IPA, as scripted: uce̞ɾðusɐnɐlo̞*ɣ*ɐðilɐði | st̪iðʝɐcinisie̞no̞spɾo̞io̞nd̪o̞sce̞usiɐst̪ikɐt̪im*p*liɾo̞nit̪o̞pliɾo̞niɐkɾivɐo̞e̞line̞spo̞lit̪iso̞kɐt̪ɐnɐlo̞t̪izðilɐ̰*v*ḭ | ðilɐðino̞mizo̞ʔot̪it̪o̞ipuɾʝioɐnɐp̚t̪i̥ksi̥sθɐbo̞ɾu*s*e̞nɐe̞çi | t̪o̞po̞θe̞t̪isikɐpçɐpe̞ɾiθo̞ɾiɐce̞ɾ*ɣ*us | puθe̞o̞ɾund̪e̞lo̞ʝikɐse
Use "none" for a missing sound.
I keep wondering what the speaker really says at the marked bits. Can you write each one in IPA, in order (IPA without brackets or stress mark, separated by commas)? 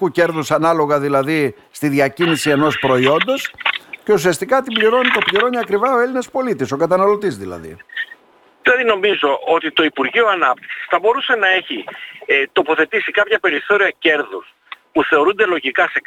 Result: ɣ, b, ð, s, ð